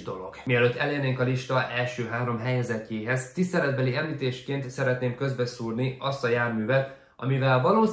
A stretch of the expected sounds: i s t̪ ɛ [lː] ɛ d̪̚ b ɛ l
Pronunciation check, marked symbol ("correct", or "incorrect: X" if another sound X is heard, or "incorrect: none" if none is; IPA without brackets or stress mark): incorrect: l